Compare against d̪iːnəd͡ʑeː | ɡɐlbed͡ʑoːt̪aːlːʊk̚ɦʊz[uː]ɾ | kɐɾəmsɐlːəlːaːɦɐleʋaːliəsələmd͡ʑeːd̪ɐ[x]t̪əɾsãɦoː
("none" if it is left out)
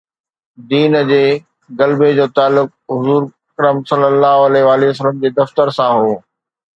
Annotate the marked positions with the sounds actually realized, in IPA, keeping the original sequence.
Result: uː, f

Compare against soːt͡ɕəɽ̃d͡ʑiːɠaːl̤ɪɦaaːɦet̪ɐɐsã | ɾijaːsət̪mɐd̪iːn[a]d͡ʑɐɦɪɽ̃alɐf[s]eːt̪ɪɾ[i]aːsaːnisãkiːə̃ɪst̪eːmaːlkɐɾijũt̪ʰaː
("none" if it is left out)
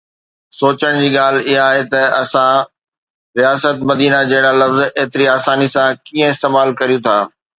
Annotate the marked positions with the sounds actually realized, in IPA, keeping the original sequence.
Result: a, z, i

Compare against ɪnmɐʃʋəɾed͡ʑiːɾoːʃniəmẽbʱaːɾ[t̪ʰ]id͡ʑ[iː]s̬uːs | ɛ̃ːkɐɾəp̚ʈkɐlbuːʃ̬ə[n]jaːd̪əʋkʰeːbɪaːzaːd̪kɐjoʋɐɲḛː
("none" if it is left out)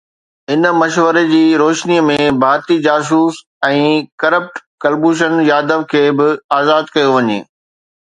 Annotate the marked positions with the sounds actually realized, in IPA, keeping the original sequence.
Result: t̪, aː, n

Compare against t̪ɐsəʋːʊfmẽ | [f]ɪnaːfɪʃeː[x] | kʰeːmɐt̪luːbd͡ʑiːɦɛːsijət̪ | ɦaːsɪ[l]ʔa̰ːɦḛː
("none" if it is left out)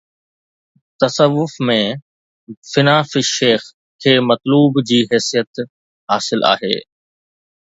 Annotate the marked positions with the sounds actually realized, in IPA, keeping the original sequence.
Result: f, x, l

